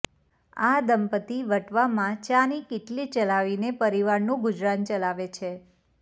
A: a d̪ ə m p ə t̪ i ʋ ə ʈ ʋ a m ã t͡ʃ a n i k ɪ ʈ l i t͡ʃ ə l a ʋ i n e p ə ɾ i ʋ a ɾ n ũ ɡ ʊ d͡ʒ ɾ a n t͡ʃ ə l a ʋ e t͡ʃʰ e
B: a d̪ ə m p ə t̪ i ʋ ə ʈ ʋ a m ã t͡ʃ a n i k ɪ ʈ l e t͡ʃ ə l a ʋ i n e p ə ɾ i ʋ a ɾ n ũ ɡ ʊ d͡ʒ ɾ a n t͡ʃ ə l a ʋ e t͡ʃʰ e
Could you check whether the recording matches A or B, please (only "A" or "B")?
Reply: A